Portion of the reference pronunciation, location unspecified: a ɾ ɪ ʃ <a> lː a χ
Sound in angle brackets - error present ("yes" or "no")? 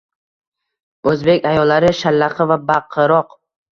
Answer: no